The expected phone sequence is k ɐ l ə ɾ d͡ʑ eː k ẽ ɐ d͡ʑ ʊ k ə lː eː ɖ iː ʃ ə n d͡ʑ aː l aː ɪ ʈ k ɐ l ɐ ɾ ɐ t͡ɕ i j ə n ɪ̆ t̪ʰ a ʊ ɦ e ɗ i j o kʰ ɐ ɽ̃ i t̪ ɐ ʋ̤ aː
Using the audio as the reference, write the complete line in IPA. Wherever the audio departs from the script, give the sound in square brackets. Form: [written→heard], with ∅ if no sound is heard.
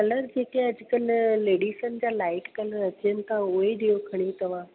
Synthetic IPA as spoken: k ɐ l ə ɾ d͡ʑ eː k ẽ ɐ d͡ʑ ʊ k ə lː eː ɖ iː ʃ ə n d͡ʑ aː l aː ɪ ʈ k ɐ l [ɐ→ə] ɾ ɐ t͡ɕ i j ə n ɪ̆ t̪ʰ a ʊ ɦ e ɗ i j o kʰ ɐ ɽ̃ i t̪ ɐ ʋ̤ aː